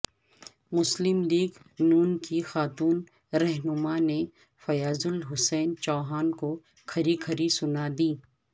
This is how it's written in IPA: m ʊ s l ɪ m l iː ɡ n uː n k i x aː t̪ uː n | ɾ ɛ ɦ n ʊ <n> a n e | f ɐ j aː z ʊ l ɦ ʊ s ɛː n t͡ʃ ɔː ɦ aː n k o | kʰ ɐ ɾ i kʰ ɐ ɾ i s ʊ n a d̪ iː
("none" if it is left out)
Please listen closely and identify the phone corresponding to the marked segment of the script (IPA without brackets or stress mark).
m